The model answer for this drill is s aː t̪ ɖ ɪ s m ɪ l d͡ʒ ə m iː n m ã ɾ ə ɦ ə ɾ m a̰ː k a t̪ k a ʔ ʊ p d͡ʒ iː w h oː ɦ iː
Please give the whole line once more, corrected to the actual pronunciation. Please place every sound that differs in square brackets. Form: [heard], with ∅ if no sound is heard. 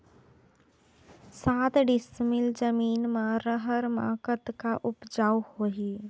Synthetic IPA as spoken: s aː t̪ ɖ ɪ s m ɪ l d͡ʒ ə m iː n m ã ɾ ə ɦ ə ɾ m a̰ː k [ə] t̪ k a ʔ ʊ p d͡ʒ [aː] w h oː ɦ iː